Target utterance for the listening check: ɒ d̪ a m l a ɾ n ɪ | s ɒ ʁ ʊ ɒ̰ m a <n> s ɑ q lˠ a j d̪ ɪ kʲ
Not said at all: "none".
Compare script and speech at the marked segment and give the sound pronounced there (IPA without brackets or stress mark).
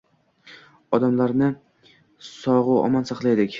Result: n